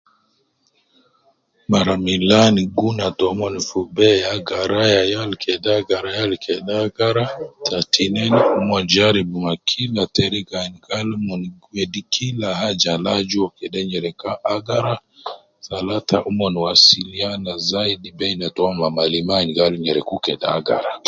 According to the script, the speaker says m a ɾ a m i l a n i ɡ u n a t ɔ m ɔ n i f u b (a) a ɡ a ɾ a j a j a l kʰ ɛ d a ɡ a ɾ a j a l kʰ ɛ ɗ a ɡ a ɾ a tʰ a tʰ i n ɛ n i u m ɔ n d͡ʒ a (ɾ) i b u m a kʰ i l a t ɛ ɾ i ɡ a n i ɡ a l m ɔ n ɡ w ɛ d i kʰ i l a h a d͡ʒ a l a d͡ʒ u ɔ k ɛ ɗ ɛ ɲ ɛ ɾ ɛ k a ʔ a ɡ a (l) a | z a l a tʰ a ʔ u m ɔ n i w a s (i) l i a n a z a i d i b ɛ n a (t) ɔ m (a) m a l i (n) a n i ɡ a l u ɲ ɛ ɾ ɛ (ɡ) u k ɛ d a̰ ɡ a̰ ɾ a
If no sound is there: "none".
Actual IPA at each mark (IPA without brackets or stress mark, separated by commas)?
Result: ɛ, ɾ, ɾ, i, t, a, m, k